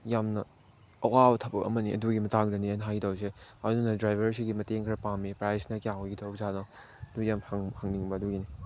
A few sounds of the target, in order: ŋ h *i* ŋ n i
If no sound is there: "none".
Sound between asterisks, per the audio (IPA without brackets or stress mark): a